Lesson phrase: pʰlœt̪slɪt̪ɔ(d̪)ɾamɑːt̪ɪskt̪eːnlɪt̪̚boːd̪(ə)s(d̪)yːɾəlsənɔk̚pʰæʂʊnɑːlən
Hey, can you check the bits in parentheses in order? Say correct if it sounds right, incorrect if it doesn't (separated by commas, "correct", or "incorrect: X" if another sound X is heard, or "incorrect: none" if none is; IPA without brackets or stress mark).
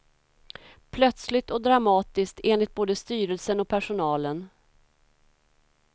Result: correct, correct, incorrect: t̪